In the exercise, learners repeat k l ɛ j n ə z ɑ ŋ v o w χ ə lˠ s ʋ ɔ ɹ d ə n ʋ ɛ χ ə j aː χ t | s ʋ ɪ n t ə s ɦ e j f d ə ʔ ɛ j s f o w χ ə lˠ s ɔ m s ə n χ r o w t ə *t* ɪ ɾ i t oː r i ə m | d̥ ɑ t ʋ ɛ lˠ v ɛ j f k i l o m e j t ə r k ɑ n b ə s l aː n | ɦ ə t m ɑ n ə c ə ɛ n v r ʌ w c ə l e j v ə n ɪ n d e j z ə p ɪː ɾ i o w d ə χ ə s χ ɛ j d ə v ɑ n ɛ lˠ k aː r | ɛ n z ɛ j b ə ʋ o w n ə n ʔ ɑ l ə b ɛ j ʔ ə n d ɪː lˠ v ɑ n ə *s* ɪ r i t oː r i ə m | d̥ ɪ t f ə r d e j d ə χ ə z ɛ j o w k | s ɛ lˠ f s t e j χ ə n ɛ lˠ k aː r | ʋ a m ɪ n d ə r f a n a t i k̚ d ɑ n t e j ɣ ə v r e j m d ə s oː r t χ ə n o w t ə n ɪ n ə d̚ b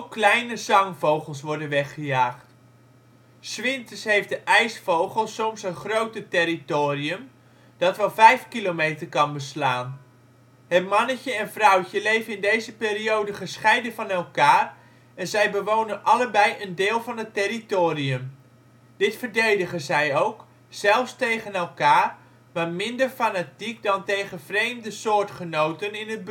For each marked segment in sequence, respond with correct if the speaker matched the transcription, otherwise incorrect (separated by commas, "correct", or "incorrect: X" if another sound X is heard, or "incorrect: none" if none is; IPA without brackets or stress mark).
correct, incorrect: t